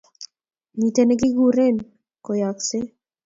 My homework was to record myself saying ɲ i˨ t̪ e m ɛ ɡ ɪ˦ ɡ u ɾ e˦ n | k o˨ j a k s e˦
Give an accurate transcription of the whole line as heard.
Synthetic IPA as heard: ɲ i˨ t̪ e n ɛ ɡ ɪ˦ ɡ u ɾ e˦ n | k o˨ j a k s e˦